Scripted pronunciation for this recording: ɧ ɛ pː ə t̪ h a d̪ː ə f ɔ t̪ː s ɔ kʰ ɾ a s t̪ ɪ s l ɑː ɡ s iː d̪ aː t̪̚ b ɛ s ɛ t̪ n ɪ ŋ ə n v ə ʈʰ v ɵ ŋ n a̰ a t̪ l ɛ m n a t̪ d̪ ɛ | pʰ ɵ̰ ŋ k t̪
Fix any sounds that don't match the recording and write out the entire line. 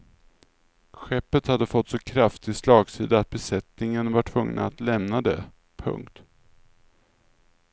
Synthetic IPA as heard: ɧ ɛ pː ə t̪ h a d̪ː ə f ɔ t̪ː s ɔ kʰ ɾ a f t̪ ɪ s l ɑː ɡ s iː d̪ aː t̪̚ b ɛ s ɛ t̪ n ɪ ŋ ə n v a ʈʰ v ɵ ŋ n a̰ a t̪ l ɛ m n a d̪ ɛ | pʰ ɵ̰ ŋ k t̪